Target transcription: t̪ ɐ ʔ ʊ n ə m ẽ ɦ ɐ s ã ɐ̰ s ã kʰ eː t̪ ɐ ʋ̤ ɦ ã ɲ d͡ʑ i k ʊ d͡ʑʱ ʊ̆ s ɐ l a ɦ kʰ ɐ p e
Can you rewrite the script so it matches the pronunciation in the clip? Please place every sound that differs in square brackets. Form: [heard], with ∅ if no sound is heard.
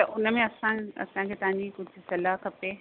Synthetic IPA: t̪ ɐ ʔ ʊ n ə m ẽ [∅] ɐ s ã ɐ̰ s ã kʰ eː t̪ ɐ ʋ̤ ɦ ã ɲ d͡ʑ i k ʊ d͡ʑʱ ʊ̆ s ɐ l a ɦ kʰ ɐ p e